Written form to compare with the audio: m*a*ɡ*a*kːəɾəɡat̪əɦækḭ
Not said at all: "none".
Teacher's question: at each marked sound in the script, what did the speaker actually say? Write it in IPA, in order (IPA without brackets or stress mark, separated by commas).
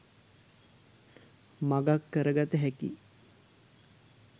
a, a